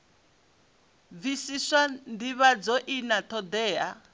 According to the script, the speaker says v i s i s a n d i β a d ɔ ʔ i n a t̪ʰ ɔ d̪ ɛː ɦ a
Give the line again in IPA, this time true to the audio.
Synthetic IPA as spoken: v i s i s a n d i β a d͡z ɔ ʔ i n a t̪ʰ ɔ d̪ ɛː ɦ a